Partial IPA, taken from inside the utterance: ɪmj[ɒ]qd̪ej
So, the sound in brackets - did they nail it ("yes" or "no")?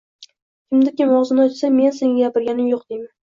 no